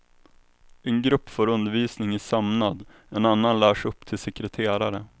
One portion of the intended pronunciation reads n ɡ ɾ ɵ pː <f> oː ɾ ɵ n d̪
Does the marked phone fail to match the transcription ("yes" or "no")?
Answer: no